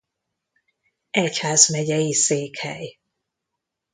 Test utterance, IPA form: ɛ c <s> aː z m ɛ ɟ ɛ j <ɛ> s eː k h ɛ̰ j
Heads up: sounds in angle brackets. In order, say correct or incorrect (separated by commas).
incorrect, incorrect